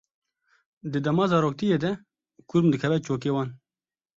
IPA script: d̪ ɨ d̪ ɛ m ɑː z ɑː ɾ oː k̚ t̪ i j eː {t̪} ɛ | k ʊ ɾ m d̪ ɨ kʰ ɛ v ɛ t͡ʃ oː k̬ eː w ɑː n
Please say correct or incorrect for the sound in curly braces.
incorrect